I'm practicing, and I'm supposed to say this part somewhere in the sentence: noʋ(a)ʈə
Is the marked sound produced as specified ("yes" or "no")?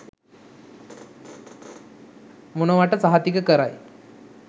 yes